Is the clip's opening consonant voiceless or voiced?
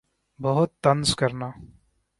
voiced